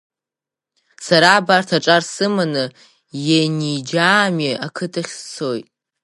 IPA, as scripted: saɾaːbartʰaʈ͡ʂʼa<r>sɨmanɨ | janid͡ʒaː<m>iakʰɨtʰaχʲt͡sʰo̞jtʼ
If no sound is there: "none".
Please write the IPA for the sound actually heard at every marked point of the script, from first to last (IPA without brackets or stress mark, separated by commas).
r, m